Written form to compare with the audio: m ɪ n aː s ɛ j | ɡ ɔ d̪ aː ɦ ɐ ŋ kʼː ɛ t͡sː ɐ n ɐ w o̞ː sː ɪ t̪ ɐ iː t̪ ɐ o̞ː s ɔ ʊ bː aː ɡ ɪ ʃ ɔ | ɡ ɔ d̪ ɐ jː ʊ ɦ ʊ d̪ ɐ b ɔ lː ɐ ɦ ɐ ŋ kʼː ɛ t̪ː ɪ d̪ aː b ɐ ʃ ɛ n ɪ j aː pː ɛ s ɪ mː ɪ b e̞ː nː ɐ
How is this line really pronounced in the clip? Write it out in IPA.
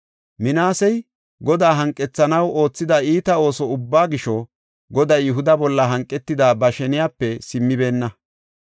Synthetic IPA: m ɪ n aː s ɛ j | ɡ ɔ d̪ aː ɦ ɐ ŋ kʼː ɛ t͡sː ɐ n ɐ w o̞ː t͡sː ɪ d̪ ɐ iː t̪ ɐ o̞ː s ɔ ʊ bː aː ɡ ɪ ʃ ɔ | ɡ ɔ d̪ ɐ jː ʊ ɦ ʊ d̪ ɐ b ɔ lː ɐ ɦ ɐ ŋ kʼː ɛ t̪ː ɪ d̪ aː b ɐ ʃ ɛ n ɪ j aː pː ɛ s ɪ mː ɪ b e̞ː nː ɐ